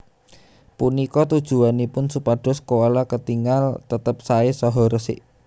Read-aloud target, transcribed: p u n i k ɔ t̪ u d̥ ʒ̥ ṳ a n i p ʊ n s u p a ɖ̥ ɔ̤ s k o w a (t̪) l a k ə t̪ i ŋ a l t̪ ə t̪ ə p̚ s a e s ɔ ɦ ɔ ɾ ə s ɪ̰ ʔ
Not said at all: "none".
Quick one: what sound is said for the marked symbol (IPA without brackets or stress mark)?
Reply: none